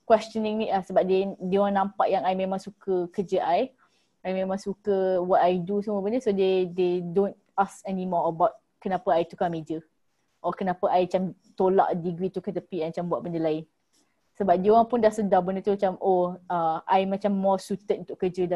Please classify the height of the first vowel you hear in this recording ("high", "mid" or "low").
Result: mid